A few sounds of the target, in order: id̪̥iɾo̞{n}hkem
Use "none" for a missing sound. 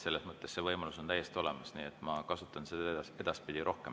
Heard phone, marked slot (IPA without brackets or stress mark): none